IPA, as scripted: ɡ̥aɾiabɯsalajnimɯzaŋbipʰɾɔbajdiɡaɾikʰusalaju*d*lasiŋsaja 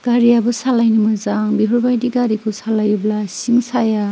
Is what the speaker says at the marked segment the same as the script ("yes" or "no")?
no